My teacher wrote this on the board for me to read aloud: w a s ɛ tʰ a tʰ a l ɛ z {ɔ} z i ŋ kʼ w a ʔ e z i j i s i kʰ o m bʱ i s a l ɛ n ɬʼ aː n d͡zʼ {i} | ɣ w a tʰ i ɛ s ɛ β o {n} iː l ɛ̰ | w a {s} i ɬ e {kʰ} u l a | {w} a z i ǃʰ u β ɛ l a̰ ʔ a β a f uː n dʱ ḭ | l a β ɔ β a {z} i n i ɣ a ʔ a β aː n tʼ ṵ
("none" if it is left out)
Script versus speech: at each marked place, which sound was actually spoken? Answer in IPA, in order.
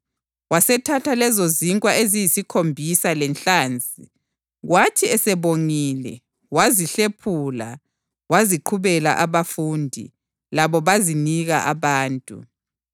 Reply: o, i, ŋ, z, pʰ, w, z

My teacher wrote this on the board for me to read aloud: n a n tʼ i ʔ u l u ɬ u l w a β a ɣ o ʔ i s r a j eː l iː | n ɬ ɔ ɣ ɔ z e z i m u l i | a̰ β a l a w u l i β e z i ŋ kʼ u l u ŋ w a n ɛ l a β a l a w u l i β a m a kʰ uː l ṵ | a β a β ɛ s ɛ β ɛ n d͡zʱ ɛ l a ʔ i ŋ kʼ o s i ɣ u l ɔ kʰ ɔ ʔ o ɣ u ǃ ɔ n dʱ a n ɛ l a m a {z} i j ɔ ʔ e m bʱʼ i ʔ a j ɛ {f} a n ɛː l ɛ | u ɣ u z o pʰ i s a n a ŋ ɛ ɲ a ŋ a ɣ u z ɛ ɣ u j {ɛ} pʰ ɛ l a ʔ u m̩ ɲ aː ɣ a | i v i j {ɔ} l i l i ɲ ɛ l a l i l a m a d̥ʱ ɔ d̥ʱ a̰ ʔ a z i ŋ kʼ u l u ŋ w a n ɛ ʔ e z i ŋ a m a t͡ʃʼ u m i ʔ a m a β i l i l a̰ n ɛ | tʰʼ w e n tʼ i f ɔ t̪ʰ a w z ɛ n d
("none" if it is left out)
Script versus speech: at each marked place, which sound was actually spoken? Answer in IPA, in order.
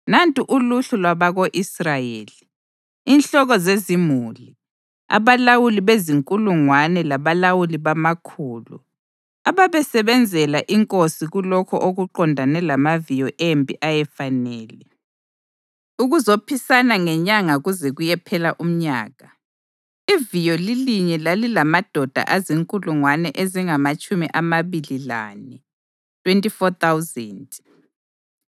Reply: v, f, ɛ, ɔ

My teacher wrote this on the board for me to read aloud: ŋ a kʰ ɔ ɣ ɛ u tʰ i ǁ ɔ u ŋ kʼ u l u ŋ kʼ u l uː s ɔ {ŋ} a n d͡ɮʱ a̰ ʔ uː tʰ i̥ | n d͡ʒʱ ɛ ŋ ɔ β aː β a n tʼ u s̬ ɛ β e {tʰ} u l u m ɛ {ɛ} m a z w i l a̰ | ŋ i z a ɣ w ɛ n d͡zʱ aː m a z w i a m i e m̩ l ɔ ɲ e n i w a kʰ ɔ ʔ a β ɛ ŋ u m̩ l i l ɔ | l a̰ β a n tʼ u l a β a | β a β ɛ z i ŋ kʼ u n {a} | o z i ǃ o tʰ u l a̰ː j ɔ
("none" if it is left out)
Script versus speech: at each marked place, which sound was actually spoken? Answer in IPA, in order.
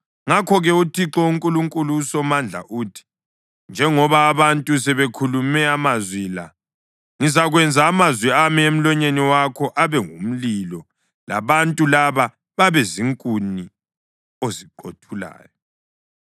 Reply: m, kʰ, a, i

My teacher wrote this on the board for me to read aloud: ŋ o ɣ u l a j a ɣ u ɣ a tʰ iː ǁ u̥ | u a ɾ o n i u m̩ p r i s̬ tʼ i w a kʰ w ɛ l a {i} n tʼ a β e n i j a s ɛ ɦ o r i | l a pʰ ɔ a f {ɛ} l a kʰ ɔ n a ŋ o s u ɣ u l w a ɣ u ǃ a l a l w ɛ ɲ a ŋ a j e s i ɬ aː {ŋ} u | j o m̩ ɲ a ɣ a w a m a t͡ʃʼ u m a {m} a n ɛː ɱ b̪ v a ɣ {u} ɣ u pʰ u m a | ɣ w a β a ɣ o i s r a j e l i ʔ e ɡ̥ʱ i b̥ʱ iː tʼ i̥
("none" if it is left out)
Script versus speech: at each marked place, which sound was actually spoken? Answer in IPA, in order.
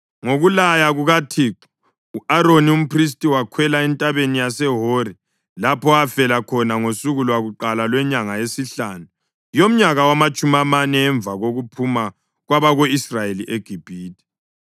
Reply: ɛ, ɛ, n, m, o

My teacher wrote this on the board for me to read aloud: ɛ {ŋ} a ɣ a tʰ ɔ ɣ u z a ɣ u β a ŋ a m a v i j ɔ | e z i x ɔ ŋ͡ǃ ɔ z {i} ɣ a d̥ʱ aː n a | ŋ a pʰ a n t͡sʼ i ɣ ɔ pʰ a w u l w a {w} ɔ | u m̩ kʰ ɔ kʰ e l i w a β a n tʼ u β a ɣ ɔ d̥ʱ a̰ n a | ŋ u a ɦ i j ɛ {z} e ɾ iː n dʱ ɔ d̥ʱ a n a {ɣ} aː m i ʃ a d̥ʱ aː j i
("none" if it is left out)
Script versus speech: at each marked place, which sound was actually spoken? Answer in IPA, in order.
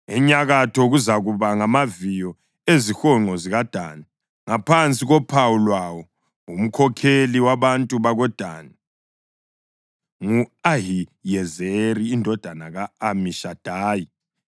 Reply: ɲ, i, w, z, ɣ

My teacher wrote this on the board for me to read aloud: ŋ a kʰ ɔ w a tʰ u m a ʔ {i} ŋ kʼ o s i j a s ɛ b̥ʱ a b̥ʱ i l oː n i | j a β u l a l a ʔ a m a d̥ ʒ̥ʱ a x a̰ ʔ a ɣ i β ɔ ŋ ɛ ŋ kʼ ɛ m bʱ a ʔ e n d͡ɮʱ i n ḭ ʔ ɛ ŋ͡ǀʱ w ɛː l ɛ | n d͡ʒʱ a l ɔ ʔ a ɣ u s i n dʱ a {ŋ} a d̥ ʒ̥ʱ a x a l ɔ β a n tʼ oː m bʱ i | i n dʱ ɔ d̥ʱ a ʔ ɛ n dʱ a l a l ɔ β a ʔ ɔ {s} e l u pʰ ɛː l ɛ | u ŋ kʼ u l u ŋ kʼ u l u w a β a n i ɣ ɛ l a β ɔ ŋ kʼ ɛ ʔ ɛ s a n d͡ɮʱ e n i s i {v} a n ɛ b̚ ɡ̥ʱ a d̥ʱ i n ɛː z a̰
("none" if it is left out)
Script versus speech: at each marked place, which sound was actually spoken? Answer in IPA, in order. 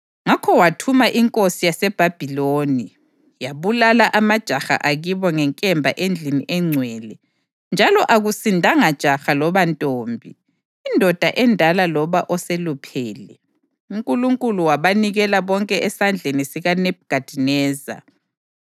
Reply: i, ŋ, s, ɣ

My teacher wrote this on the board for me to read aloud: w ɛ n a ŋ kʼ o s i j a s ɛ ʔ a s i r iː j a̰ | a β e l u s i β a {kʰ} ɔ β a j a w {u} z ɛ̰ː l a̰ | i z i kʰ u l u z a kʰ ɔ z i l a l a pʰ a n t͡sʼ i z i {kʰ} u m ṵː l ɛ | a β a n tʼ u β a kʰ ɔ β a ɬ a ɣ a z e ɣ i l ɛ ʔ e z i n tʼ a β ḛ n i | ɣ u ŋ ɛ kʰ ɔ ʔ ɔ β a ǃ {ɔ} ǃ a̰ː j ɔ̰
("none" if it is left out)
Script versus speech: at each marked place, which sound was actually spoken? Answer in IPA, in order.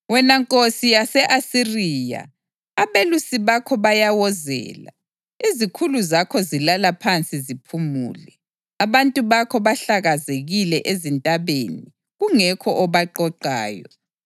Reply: kʰ, ɔ, pʰ, ɔ

